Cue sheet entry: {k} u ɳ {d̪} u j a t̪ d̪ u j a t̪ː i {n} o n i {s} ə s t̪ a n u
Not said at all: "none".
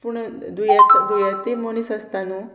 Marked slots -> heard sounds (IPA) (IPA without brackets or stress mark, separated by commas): p, d̪, m, s